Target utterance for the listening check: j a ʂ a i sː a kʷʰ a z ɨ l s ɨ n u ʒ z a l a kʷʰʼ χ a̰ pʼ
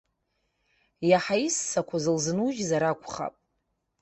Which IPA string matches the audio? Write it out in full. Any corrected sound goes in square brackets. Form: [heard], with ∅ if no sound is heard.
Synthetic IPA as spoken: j a [ħ] a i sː a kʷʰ a z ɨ l [z] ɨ n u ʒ z a [ɾ] a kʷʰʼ χ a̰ pʼ